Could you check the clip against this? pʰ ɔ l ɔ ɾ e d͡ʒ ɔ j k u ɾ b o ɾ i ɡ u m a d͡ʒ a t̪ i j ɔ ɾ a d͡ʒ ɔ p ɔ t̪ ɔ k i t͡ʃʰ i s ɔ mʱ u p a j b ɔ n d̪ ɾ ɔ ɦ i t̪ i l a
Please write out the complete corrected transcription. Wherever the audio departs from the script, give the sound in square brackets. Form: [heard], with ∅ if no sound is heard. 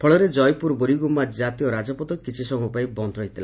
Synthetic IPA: pʰ ɔ [ɭ] ɔ ɾ e d͡ʒ ɔ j [p] u ɾ b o ɾ i ɡ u m a d͡ʒ a t̪ i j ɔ ɾ a d͡ʒ ɔ p ɔ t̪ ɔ k i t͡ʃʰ i s ɔ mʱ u p a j b ɔ n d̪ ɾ ɔ ɦ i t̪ i l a